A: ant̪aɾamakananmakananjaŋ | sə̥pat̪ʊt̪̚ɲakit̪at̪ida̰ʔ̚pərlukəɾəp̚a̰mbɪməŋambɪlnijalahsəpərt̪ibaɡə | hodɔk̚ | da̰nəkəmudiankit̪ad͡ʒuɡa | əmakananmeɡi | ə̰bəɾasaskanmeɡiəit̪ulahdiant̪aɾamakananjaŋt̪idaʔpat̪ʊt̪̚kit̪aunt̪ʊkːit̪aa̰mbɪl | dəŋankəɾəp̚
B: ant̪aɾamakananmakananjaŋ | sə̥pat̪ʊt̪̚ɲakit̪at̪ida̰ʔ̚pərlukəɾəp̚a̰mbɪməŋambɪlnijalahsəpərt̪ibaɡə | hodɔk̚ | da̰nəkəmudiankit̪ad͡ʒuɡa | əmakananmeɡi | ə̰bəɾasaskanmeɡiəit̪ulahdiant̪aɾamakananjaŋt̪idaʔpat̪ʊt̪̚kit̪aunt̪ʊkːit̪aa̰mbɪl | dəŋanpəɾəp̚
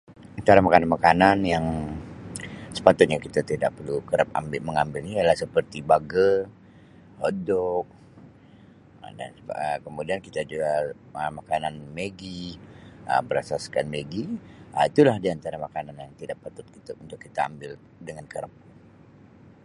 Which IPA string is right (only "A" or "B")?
A